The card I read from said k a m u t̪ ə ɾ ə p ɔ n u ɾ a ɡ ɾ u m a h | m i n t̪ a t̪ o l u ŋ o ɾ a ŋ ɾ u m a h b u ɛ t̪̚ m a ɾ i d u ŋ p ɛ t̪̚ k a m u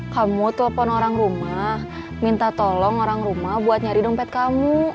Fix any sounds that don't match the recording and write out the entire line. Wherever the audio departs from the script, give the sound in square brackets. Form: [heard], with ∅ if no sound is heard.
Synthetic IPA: k a m u t̪ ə [l] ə p ɔ n [o] ɾ a [ŋ] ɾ u m a h | m i n t̪ a t̪ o l [ɔ] ŋ o ɾ a ŋ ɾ u m a h b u [a] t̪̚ [ɲ] a ɾ i d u ŋ p ɛ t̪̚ k a m u